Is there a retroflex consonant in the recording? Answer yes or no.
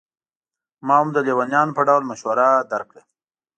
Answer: yes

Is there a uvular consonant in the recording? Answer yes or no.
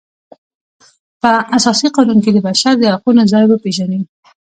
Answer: yes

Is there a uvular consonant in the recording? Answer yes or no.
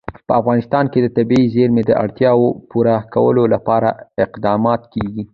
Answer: yes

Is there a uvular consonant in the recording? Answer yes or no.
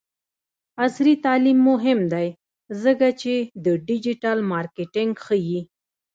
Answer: no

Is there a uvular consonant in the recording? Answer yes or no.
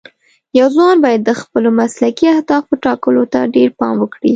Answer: no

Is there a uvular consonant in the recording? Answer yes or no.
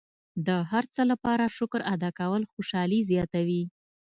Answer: no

